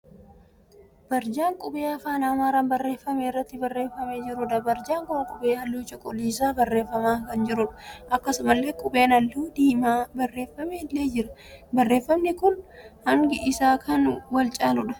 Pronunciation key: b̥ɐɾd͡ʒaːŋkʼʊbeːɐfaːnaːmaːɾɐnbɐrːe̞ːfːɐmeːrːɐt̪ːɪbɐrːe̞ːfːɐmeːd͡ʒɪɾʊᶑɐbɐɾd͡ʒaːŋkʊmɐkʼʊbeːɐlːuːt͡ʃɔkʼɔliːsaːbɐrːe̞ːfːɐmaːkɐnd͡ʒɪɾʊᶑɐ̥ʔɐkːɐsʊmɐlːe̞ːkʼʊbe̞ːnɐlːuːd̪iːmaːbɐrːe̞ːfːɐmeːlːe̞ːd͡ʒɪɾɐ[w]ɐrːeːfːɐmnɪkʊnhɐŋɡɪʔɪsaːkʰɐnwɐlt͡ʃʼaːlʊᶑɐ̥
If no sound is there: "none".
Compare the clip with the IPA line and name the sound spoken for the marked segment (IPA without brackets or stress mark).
b